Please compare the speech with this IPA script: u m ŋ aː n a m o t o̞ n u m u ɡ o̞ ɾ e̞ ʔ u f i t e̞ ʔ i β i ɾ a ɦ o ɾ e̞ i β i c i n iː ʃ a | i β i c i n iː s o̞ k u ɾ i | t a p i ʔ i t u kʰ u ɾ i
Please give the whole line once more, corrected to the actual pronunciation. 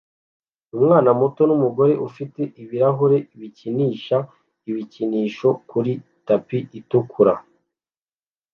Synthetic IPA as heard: u m ŋ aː n a m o t o̞ n u m u ɡ o̞ ɾ e̞ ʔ u f i t e̞ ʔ i β i ɾ a ɦ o ɾ e̞ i β i c i n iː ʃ a | i β i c i n iː ʃ o̞ k u ɾ i | t a p i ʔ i t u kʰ u ɾ a